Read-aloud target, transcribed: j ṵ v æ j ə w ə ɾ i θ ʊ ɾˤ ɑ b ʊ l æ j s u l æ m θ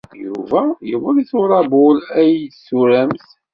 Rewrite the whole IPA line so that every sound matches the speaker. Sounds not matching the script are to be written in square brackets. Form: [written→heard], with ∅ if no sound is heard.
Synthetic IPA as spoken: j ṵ v æ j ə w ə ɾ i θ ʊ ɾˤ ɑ b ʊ l æ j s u [l→ɾ] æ m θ